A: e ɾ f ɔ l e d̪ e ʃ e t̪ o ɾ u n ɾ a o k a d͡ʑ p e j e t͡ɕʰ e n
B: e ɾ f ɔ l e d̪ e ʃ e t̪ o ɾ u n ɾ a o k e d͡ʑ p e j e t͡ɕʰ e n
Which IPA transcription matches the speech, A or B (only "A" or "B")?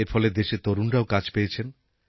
A